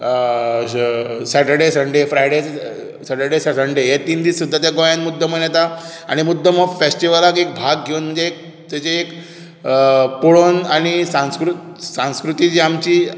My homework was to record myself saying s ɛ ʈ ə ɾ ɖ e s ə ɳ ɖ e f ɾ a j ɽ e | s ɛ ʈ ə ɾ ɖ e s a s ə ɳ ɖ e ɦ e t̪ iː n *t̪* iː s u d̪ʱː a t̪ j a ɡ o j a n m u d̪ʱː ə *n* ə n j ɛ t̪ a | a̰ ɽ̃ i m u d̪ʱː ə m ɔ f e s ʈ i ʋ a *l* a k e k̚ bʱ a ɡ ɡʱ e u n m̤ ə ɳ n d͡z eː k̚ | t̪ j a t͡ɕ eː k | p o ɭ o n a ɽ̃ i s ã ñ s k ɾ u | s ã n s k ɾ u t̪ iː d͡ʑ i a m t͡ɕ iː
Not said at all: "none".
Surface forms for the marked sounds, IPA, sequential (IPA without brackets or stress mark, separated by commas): d̪, m, l